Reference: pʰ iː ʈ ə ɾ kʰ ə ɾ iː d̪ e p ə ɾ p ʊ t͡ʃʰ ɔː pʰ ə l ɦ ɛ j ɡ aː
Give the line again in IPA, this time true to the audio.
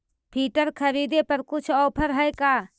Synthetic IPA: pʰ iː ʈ ə ɾ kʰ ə ɾ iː d̪ e p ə ɾ k ʊ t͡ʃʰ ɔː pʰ ə ɾ ɦ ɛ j k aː